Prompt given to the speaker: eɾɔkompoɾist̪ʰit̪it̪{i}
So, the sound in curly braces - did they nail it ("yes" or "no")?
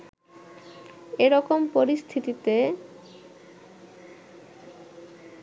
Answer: no